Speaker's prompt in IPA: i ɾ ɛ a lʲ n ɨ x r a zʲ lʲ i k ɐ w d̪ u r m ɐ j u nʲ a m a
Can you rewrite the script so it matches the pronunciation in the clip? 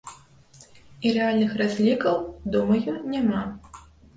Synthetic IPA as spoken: i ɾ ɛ a lʲ n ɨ x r a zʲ lʲ i k ɐ w d̪ u m ɐ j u nʲ a m a